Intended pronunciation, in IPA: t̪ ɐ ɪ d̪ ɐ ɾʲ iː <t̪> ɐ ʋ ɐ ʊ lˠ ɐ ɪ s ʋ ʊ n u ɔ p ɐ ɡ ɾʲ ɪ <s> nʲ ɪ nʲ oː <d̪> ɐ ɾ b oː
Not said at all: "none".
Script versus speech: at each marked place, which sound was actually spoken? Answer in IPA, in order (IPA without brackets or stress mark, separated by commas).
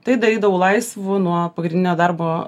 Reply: d̪, none, d̪